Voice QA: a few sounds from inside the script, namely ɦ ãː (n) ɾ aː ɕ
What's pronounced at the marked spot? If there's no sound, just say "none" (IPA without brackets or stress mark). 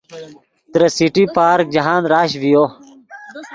n